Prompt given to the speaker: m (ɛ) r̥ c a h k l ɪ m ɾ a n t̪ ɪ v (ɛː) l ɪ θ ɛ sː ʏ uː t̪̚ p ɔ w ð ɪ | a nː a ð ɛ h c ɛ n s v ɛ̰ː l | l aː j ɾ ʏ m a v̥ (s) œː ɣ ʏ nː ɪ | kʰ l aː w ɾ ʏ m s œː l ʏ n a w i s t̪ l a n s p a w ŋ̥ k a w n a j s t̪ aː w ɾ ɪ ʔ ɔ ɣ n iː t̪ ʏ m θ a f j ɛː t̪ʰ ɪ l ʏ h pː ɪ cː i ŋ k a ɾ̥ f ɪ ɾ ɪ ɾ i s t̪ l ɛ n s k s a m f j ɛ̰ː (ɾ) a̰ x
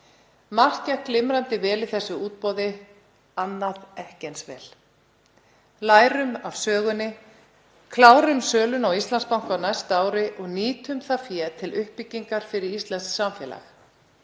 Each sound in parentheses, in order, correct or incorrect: incorrect: a, correct, correct, incorrect: l

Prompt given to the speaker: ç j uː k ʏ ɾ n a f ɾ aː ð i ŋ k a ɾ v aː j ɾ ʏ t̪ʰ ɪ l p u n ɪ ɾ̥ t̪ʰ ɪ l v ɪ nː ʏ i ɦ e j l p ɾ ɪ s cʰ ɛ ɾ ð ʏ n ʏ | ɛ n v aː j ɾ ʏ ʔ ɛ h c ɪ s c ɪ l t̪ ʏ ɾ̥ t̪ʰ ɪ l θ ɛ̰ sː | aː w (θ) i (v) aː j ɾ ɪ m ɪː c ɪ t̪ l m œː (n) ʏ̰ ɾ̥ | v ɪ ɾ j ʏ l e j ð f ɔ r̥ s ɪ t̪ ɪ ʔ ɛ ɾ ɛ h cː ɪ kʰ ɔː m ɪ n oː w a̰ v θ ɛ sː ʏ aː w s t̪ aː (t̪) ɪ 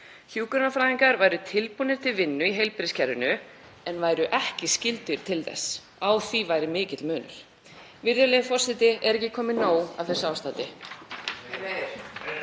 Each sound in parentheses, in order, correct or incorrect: correct, correct, correct, correct

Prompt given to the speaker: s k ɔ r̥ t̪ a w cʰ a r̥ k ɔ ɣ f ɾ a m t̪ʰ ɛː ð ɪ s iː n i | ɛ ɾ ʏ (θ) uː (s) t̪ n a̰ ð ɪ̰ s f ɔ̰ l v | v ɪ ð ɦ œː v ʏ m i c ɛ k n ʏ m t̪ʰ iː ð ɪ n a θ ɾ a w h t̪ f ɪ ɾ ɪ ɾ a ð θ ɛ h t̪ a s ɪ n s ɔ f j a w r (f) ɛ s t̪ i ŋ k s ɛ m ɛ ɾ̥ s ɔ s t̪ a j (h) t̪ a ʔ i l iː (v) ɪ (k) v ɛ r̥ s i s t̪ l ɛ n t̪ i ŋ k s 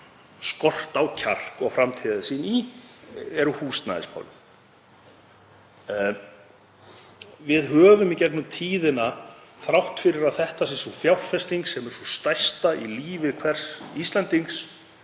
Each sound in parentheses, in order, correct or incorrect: incorrect: h, correct, correct, incorrect: s, correct, incorrect: kʰ

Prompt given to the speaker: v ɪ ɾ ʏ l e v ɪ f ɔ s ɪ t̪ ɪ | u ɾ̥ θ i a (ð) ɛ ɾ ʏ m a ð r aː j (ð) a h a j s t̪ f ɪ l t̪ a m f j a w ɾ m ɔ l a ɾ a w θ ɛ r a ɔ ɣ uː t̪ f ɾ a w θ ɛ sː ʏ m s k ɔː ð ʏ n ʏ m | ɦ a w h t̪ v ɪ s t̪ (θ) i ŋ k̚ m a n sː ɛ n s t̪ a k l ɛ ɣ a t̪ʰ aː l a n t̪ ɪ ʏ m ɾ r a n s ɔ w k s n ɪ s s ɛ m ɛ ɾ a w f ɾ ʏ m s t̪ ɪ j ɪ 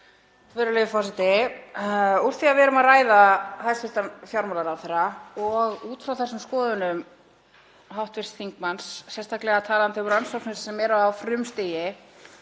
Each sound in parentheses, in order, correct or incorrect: incorrect: v, correct, correct

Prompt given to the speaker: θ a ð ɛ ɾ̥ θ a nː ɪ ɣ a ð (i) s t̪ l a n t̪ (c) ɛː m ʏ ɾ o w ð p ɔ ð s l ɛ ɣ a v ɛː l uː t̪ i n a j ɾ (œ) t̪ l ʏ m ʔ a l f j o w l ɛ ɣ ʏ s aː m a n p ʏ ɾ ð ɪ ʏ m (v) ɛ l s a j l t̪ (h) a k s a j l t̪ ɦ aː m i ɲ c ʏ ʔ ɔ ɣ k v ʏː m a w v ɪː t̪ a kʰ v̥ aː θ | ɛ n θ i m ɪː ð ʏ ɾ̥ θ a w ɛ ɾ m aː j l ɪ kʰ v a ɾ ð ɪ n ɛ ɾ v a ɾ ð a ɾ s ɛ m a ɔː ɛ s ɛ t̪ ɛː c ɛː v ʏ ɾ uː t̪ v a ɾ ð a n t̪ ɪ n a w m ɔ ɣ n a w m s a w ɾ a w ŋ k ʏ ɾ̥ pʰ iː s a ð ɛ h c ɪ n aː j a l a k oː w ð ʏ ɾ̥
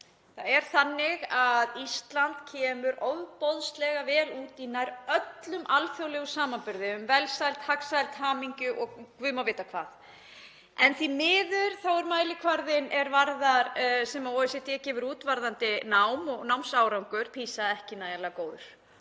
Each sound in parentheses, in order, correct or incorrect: correct, incorrect: cʰ, correct, correct, correct

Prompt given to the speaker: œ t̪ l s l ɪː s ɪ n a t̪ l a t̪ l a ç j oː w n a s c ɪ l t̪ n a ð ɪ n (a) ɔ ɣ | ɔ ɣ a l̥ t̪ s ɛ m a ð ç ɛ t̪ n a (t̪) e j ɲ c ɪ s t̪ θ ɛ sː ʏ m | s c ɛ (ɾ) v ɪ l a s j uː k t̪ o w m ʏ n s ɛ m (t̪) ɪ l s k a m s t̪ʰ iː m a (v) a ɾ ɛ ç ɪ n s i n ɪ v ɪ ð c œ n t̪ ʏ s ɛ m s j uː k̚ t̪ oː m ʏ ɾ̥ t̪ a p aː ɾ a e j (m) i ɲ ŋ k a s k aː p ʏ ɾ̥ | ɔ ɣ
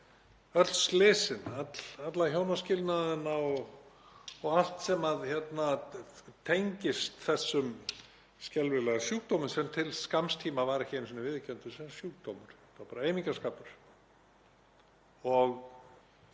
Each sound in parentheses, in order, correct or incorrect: correct, incorrect: t̪ʰ, incorrect: l, incorrect: t̪ʰ, correct, correct

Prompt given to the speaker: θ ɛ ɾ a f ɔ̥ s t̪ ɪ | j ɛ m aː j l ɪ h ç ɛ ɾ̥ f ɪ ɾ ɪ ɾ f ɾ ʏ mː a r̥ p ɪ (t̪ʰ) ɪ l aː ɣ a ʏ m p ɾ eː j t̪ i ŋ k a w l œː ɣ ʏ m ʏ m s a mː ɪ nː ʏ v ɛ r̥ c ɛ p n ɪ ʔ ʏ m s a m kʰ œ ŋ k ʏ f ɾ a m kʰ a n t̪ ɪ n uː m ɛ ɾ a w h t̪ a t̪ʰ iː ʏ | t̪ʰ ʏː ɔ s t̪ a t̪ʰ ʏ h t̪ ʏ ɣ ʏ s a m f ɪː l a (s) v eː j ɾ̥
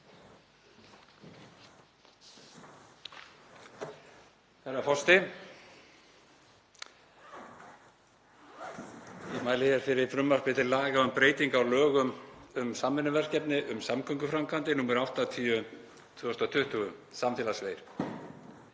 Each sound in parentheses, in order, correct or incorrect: incorrect: t̪, correct

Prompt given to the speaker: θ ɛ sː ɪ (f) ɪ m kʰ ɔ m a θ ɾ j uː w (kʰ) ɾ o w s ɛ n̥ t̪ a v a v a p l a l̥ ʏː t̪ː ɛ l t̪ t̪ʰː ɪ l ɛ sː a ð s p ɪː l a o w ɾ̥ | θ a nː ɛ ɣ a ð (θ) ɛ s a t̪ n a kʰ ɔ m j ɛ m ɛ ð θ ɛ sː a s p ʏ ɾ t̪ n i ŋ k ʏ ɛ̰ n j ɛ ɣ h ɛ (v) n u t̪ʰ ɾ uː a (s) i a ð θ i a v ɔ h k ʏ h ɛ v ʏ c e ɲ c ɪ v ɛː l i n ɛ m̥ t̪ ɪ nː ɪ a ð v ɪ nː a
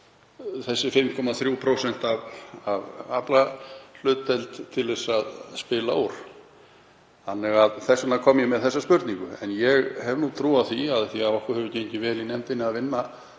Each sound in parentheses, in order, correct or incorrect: correct, incorrect: pʰ, correct, correct, incorrect: θ

